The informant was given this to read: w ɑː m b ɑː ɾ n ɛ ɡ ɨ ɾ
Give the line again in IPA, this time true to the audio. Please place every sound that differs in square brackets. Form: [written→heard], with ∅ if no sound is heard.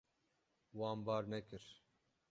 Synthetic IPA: w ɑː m b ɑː ɾ n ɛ [ɡ→k] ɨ ɾ